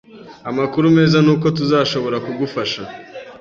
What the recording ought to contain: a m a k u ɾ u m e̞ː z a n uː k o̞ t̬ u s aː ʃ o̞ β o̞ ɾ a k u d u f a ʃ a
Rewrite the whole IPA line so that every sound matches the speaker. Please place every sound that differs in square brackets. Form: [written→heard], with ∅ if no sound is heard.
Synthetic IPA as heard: a m a k u ɾ u m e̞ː z a n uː k o̞ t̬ u [s→z] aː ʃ o̞ β o̞ ɾ a k u [d→ɡ] u f a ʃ a